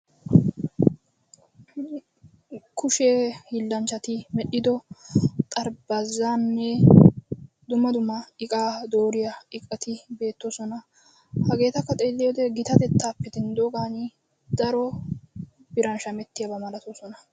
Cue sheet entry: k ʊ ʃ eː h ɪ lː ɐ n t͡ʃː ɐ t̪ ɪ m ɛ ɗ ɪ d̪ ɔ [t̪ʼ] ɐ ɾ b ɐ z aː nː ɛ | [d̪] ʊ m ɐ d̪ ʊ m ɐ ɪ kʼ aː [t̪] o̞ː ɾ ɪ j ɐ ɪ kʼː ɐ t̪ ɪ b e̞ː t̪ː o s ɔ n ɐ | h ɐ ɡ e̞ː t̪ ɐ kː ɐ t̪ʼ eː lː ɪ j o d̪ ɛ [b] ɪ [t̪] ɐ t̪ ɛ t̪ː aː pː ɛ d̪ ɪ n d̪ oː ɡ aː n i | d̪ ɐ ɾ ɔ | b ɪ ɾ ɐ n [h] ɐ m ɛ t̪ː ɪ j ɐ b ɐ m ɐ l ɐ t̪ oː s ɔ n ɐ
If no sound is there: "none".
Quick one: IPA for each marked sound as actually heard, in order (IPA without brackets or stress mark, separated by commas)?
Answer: t̪ʼ, d̪, d̪, ɡ, t̪, ʃ